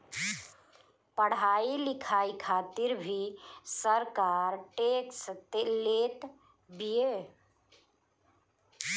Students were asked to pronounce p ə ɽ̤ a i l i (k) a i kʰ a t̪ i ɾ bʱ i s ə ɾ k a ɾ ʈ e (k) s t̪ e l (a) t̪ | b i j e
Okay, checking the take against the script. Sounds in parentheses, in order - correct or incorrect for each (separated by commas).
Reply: incorrect, correct, incorrect